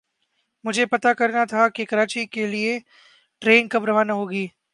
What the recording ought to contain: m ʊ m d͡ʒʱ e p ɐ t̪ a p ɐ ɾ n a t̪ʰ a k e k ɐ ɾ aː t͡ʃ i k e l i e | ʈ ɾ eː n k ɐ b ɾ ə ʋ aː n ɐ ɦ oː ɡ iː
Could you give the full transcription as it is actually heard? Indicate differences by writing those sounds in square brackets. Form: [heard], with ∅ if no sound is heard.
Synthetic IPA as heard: m ʊ [∅] d͡ʒʱ e p ɐ t̪ a [k] ɐ ɾ n a t̪ʰ a k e k ɐ ɾ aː t͡ʃ i k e l i e | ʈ ɾ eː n k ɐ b ɾ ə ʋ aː n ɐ ɦ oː ɡ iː